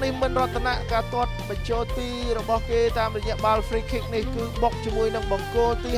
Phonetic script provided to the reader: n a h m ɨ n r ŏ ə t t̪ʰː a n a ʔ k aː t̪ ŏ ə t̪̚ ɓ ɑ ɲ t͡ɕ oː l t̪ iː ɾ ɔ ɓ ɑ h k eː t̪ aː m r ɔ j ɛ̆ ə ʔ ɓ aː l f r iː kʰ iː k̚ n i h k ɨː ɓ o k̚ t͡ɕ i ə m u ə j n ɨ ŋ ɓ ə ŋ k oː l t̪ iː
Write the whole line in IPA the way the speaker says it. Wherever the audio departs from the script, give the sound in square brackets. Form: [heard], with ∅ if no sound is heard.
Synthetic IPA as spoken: n [i] h m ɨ n r ŏ ə t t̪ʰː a n a ʔ k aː t̪ ŏ ə t̪̚ ɓ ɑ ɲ t͡ɕ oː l t̪ iː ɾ ɔ ɓ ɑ h k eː t̪ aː m r ɔ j ɛ̆ ə ʔ ɓ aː l f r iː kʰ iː k̚ n i h k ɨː ɓ o k̚ t͡ɕ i ə m u ə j n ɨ ŋ ɓ [ɑ] ŋ k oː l t̪ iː